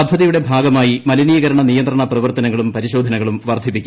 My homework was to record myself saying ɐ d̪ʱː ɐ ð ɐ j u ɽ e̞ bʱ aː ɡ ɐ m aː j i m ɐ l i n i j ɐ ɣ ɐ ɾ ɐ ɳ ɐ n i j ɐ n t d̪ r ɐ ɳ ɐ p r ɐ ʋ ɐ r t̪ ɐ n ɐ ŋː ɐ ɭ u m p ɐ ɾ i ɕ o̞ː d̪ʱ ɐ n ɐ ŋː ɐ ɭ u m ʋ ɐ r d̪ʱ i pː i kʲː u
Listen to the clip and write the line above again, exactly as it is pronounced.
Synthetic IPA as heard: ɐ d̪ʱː ɐ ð ɐ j u ɽ e̞ bʱ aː ɡ ɐ m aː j i m ɐ l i n i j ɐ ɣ ɐ ɾ ɐ ɳ ɐ n i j ɐ n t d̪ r ɐ ɳ ɐ p r ɐ ʋ ɐ r t̪ ɐ n ɐ ŋː ɐ ɭ u m p ɐ ɾ i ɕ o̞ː d̪ʱ ɐ n ɐ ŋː ɐ ɭ u m ʋ ɐ r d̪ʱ i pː i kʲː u

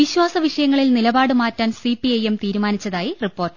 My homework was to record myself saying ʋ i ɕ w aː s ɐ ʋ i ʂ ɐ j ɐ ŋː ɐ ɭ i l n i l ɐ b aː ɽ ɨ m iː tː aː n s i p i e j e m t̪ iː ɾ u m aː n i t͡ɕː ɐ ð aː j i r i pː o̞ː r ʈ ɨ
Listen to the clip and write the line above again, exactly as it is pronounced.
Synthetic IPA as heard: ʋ i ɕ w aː s ɐ ʋ i ʂ ɐ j ɐ ŋː ɐ ɭ i l n i l ɐ b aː ɽ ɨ m aː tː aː n s i p i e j e m t̪ iː ɾ u m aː n i t͡ɕː ɐ ð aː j i r i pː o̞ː r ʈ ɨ

